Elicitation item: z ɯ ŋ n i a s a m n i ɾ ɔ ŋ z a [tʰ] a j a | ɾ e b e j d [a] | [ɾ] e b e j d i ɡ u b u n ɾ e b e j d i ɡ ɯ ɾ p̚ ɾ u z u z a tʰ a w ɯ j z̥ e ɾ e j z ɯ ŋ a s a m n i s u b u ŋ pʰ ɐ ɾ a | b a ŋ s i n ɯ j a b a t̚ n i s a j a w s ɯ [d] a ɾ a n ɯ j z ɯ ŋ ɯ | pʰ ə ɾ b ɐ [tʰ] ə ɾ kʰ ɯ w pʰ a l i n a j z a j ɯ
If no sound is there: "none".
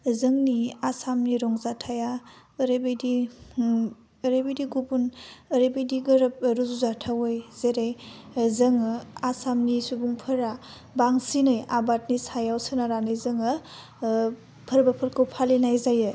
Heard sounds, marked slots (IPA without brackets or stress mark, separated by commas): tʰ, i, ɾ, n, pʰ